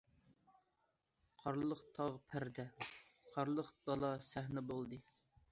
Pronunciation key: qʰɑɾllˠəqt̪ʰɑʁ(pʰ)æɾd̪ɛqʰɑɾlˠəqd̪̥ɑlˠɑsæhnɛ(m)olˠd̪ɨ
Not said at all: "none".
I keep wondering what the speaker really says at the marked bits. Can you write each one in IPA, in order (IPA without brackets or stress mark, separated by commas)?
pʰ, b